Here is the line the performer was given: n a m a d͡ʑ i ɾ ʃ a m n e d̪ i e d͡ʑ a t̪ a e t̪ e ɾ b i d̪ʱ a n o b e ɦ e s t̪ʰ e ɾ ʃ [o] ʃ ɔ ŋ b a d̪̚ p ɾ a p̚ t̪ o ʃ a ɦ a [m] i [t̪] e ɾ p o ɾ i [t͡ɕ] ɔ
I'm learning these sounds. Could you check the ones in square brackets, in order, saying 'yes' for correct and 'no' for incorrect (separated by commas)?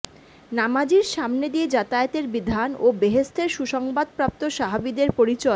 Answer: no, no, no, yes